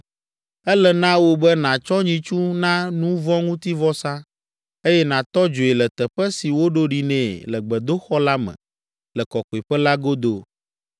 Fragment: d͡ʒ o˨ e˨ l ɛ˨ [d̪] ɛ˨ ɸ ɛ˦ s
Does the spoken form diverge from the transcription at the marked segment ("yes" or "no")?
yes